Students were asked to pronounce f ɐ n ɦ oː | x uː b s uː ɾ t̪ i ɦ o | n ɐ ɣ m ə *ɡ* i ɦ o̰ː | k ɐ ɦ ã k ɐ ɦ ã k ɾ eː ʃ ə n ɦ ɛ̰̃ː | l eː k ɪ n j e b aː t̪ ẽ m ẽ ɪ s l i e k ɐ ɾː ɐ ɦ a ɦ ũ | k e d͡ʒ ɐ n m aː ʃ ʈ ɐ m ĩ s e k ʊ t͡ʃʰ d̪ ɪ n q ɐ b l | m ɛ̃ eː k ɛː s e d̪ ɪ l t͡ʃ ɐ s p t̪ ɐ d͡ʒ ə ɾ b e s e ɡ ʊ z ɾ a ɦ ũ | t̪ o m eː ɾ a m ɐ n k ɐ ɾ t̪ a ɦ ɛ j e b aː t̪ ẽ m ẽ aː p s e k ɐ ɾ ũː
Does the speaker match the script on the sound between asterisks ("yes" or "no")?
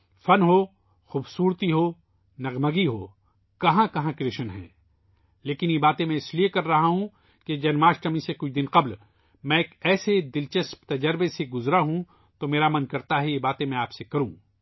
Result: yes